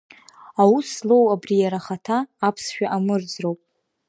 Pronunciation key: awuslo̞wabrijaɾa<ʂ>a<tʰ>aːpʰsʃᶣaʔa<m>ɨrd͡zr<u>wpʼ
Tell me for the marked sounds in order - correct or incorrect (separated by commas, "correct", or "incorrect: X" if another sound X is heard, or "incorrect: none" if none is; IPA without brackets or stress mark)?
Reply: incorrect: χ, correct, correct, incorrect: o